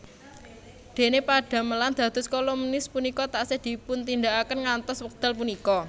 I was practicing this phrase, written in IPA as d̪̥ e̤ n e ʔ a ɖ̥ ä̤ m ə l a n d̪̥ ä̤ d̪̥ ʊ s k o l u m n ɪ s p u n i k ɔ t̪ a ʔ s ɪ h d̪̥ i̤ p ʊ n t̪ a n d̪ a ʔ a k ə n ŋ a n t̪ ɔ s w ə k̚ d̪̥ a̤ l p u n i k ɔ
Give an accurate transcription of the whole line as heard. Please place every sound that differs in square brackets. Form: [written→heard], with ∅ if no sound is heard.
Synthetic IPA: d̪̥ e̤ n e [ʔ→p] a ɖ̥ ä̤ m ə l a n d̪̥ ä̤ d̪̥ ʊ s k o l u m n ɪ s p u n i k ɔ t̪ a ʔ s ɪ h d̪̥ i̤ p ʊ n t̪ [a→i] n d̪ a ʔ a k ə n ŋ a n t̪ ɔ s w ə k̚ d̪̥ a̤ l p u n i k ɔ

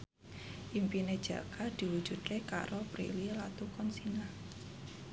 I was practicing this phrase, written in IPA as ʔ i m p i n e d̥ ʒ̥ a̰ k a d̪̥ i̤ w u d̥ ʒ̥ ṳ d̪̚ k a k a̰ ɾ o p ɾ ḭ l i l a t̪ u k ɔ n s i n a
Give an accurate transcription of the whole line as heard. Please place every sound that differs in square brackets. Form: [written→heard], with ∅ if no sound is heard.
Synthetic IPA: ʔ i m p i n e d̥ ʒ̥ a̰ k a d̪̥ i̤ w u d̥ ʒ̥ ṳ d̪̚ k [a→e] k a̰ ɾ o p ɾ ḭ l i l a t̪ u k ɔ n s i n a

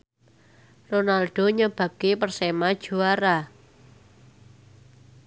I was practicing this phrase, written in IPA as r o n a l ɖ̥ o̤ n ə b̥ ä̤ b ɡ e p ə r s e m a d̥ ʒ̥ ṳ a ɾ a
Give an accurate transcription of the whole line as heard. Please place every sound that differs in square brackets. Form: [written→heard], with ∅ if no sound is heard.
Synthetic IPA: r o n a l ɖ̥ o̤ [n→ɲ] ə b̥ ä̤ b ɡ e p ə r s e m a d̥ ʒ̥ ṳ a ɾ a

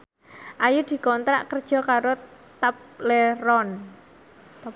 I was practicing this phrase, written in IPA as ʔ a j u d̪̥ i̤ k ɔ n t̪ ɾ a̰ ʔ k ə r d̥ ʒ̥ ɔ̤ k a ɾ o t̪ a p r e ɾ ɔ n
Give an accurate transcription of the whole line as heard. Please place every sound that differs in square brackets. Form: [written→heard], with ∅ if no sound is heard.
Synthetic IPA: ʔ a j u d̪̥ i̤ k ɔ n t̪ ɾ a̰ ʔ k ə r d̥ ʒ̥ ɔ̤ k a ɾ o t̪ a p [r→l] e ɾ ɔ n

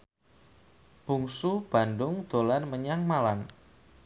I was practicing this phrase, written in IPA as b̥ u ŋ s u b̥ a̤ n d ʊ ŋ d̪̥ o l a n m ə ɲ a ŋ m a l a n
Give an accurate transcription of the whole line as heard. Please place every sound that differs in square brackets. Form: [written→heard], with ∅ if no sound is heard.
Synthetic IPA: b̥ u ŋ s u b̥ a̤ n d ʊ ŋ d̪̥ o l a n m ə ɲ a ŋ m a l a n

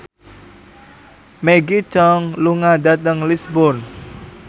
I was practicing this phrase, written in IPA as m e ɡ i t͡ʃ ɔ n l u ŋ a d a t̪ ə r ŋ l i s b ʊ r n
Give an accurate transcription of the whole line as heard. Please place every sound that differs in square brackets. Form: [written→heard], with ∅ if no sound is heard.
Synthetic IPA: m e ɡ i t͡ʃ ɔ [n→ŋ] l u ŋ a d a t̪ ə [r→∅] ŋ l i s b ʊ r n

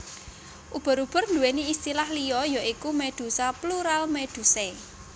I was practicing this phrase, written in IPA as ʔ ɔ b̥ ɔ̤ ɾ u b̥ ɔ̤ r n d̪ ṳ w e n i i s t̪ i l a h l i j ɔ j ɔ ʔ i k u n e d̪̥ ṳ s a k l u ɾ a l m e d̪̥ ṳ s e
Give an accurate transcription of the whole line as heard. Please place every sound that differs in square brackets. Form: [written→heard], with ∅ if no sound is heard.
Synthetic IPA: ʔ [ɔ→u] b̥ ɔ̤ ɾ u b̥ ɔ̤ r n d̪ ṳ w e n i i s t̪ i l a h l i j ɔ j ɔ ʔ i k u [n→m] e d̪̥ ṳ s a [k→p] l u ɾ a l m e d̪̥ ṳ s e

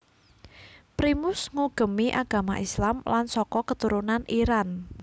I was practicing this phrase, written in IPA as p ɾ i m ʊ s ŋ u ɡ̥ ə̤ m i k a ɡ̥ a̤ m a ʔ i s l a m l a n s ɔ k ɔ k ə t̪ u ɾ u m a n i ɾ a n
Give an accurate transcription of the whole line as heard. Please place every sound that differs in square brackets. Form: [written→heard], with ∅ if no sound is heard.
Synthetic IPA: p ɾ i m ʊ s ŋ u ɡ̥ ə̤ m i [k→ʔ] a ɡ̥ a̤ m a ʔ i s l a m l a n s ɔ k ɔ k ə t̪ u ɾ u [m→n] a n i ɾ a n

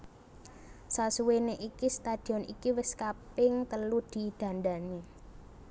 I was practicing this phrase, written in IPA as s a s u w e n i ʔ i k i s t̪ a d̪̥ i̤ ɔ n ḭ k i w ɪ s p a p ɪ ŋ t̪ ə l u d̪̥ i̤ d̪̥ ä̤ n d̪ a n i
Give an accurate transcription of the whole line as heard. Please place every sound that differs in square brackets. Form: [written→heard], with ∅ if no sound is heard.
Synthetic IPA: s a s u w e n [i→e] ʔ i k i s t̪ a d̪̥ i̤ ɔ n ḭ k i w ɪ s [p→k] a p ɪ ŋ t̪ ə l u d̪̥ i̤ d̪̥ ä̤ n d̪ a n i

